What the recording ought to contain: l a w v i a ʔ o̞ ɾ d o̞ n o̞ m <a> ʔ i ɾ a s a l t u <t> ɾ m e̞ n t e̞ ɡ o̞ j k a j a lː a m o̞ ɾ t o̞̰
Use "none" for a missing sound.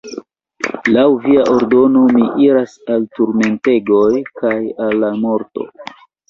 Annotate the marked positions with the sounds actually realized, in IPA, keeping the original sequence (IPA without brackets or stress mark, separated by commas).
i, none